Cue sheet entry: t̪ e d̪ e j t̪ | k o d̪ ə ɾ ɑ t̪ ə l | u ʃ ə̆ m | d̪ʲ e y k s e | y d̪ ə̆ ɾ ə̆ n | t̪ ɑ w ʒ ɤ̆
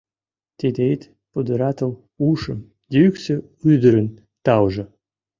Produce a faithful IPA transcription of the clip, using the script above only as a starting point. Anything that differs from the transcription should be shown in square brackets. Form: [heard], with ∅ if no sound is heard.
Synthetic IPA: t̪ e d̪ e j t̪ | [p] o d̪ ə ɾ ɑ t̪ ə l | u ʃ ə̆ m | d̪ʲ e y k s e | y d̪ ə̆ ɾ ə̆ n | t̪ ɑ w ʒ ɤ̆